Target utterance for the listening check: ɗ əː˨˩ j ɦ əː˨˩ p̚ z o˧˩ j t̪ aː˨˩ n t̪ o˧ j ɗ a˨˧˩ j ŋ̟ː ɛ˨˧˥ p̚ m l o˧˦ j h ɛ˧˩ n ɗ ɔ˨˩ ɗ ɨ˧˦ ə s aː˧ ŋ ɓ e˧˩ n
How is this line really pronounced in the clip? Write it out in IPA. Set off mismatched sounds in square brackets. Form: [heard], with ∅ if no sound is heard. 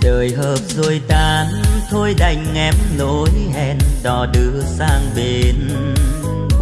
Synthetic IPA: ɗ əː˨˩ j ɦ əː˨˩ p̚ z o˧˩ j t̪ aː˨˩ n [t̪ʰ] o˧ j ɗ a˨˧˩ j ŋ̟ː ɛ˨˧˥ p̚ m l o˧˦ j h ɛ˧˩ n ɗ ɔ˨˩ ɗ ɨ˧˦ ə s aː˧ ŋ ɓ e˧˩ n